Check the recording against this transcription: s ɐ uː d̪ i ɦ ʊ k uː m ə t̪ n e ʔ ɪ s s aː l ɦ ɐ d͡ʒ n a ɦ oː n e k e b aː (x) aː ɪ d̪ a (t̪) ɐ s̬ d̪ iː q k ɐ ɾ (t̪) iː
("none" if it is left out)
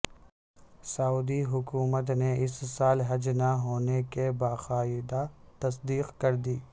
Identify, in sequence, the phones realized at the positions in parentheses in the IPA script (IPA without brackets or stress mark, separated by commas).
x, t̪, d̪